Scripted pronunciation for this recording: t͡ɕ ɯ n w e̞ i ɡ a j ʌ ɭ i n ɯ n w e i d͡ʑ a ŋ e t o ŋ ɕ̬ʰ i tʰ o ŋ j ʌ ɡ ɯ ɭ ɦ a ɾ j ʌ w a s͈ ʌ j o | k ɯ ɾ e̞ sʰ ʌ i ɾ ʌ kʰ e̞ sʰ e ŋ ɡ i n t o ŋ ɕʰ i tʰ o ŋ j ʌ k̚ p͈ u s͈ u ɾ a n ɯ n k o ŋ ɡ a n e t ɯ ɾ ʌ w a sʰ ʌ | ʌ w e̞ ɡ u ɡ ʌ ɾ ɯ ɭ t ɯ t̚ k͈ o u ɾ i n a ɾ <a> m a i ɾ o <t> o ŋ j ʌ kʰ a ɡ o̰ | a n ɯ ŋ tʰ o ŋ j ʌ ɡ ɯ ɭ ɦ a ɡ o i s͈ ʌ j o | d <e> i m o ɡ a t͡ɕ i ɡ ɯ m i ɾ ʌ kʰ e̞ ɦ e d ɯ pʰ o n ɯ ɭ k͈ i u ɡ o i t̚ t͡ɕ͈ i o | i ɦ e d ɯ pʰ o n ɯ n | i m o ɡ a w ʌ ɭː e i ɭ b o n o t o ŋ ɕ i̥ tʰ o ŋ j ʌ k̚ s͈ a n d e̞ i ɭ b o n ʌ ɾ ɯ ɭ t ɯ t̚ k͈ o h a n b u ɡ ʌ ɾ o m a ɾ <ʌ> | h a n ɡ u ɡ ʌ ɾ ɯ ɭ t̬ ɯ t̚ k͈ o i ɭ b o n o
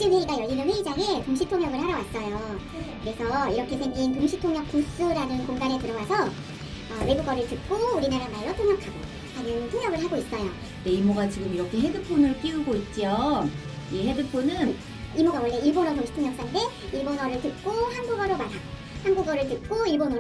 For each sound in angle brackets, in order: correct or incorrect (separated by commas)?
correct, incorrect, correct, incorrect